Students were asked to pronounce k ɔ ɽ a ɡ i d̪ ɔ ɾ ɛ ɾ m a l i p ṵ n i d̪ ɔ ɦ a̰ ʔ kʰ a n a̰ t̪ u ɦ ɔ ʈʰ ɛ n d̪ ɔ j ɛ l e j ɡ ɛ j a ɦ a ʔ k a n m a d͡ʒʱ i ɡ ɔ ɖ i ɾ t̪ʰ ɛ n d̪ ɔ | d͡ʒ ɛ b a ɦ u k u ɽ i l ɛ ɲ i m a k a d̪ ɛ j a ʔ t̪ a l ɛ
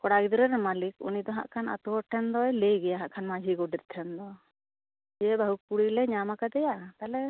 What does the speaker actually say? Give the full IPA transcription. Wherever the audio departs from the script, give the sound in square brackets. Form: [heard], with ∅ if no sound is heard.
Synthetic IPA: k ɔ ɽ a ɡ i d̪ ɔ ɾ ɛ ɾ m a l i [k] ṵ n i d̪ ɔ ɦ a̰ ʔ kʰ a n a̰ t̪ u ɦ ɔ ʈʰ ɛ n d̪ ɔ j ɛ l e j ɡ ɛ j a ɦ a ʔ [kʰ] a n m a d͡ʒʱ i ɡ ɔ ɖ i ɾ t̪ʰ ɛ n d̪ ɔ | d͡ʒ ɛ b a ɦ u k u ɽ i l ɛ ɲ [a] m a k a d̪ ɛ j a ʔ t̪ a l ɛ